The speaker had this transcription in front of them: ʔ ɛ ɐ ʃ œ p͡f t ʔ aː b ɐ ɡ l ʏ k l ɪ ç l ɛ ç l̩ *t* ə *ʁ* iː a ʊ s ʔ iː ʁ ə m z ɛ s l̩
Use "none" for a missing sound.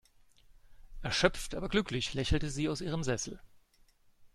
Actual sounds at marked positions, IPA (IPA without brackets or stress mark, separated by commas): t, z